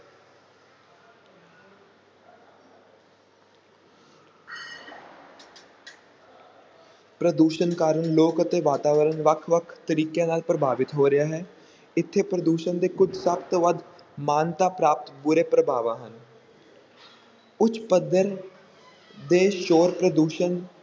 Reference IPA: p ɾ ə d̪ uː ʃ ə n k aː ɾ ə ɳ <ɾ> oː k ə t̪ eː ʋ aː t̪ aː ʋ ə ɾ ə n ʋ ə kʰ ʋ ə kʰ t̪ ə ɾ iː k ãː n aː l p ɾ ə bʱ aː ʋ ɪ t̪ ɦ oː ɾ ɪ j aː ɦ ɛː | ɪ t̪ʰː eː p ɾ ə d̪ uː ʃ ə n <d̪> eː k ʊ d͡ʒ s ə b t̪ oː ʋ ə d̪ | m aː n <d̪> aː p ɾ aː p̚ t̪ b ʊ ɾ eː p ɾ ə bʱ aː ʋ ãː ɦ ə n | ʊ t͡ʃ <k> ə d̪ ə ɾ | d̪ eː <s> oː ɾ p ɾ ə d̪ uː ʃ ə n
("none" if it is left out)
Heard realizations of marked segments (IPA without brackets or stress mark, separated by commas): l, d̪, t̪, p, ʃ